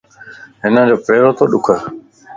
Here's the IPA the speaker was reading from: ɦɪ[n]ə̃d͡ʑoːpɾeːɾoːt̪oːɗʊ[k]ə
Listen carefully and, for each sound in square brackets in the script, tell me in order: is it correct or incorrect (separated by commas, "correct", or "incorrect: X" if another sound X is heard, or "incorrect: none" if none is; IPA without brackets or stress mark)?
correct, incorrect: kʰ